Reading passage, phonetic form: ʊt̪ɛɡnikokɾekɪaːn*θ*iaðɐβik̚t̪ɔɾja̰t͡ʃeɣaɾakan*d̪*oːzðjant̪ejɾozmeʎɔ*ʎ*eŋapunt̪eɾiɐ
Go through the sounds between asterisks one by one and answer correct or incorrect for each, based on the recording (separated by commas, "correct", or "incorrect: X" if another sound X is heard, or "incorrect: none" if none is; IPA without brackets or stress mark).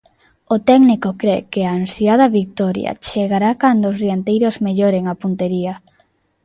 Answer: incorrect: s, correct, incorrect: ɾ